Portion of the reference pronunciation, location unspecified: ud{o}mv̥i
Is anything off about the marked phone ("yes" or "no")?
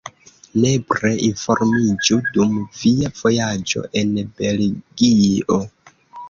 yes